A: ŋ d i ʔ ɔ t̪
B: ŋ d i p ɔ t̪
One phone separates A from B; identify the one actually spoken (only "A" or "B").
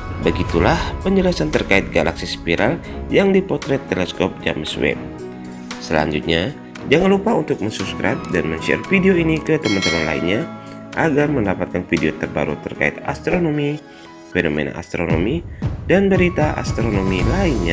B